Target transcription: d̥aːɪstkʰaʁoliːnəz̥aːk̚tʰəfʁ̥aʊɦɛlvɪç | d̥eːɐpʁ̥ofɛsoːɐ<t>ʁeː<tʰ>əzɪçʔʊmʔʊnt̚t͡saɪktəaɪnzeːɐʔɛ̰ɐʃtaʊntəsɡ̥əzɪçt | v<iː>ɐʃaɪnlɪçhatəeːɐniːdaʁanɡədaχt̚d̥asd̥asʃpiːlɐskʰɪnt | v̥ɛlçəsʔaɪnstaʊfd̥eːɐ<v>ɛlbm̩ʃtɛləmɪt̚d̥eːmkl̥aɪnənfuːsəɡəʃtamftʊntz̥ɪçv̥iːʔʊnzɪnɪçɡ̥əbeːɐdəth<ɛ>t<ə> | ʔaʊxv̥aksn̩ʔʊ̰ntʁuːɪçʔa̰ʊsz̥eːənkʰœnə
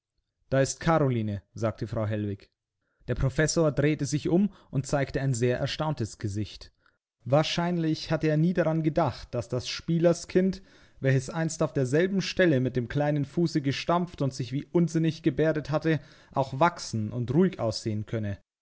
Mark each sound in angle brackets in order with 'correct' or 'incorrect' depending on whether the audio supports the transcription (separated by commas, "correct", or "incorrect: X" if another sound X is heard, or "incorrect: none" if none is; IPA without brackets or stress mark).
incorrect: d, incorrect: t, incorrect: aː, incorrect: z, incorrect: a, correct